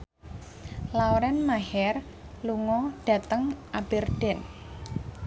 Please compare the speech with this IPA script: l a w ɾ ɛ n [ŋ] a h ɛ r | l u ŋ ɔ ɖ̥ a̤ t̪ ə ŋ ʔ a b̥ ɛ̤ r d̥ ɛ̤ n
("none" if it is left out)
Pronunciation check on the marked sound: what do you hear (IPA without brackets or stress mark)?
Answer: m